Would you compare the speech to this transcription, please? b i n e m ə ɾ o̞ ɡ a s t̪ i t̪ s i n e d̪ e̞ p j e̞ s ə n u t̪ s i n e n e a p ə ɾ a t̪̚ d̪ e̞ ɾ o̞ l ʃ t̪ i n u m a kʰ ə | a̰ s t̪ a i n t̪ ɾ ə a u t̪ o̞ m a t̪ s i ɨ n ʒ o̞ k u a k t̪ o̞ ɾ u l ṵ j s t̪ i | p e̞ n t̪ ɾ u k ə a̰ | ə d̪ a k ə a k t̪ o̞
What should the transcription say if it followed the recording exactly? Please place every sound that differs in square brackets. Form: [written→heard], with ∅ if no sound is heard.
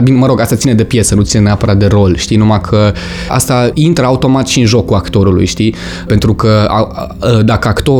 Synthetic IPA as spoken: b i n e m ə ɾ o̞ ɡ a s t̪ [i→a] t̪ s i n e d̪ e̞ p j e̞ s ə n u t̪ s i n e n e a p ə ɾ a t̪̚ d̪ e̞ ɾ o̞ l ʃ t̪ i n u m a kʰ ə | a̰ s t̪ a i n t̪ ɾ ə a u t̪ o̞ m a t̪ [s→ʃ] i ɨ n ʒ o̞ k u a k t̪ o̞ ɾ u l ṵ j [s→ʃ] t̪ i | p e̞ n t̪ ɾ u k ə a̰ | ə d̪ a k ə a k t̪ o̞